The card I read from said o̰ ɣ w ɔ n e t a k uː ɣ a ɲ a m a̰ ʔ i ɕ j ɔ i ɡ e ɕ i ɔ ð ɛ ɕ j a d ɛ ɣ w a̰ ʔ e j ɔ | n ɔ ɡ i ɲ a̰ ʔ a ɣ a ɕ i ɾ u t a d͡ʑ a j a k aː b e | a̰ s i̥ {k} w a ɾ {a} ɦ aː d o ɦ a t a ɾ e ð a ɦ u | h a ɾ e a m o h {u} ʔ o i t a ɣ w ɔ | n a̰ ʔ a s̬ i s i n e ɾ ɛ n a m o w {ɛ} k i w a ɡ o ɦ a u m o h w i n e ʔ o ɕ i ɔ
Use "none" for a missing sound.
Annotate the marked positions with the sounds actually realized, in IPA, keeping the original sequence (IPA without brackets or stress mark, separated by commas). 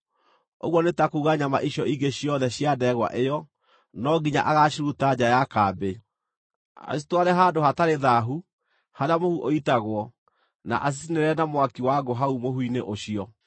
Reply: t, ɛ, u, a